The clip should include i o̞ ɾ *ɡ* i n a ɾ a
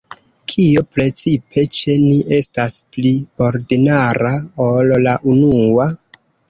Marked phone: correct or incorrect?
incorrect